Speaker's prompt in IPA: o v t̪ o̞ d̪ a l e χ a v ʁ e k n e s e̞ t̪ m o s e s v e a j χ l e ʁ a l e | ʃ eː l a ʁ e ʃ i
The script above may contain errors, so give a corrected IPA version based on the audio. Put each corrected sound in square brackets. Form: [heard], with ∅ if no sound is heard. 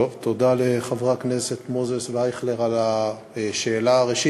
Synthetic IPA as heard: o v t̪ o̞ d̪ a l e χ a v ʁ [a] k n e s e̞ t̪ m o [z] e s v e a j χ l e ʁ a l [a] | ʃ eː l a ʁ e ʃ i